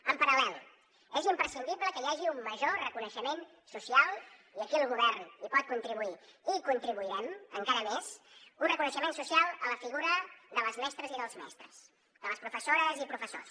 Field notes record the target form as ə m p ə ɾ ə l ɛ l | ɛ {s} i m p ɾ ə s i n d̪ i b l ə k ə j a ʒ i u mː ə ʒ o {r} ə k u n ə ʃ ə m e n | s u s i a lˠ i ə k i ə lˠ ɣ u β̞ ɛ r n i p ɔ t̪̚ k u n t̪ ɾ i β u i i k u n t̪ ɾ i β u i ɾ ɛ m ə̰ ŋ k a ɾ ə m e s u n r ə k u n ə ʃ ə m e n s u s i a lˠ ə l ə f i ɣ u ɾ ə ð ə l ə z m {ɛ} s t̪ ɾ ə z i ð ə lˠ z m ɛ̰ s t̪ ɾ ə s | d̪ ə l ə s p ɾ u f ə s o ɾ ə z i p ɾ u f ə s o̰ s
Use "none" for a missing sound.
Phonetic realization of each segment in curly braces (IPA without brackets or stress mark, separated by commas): z, r, ɛ